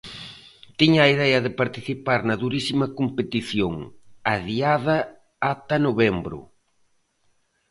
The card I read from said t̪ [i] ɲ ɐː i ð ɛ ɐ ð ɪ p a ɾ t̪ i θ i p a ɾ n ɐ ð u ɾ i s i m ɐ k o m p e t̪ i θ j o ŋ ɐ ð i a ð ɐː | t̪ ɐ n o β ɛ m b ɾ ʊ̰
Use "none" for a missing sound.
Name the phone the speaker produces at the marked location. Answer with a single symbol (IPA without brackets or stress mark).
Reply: i